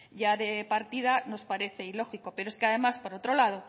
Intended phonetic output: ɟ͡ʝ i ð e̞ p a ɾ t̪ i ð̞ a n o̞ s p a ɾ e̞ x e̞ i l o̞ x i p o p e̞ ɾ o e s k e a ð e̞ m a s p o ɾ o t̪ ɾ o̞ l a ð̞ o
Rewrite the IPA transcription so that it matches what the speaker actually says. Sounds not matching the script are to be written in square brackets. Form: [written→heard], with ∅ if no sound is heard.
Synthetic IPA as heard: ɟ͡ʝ [i→a] ð e̞ p a ɾ t̪ i ð̞ a n o̞ s p a ɾ e̞ [x→θ] e̞ i l o̞ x i [p→k] o p e̞ ɾ o e s k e a ð e̞ m a s p o ɾ o t̪ ɾ o̞ l a ð̞ o